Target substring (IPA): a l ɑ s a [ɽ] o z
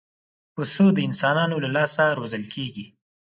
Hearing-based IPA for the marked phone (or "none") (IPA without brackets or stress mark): ɾ